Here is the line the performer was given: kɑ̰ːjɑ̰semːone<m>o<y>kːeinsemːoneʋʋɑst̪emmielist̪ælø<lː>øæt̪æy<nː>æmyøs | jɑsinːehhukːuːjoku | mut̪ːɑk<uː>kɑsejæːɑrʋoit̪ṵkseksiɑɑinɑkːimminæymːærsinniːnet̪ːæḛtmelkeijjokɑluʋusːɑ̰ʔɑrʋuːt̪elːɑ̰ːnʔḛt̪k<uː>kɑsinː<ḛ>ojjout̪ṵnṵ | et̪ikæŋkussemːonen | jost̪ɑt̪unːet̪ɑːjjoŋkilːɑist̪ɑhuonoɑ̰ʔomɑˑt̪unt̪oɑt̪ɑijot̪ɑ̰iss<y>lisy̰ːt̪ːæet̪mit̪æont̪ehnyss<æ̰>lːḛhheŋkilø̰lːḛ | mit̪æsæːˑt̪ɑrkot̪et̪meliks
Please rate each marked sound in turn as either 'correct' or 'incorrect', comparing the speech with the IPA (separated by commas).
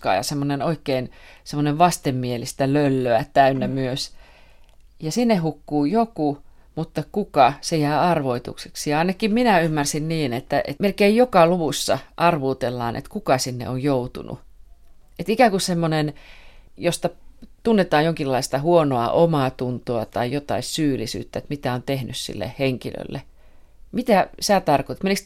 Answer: incorrect, incorrect, correct, correct, incorrect, incorrect, correct, incorrect, incorrect